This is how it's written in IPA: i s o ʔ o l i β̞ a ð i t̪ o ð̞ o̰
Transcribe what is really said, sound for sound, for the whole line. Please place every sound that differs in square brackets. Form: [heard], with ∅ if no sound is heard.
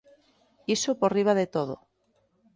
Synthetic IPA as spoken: i s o [p] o [r] i β̞ a ð [e] t̪ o ð̞ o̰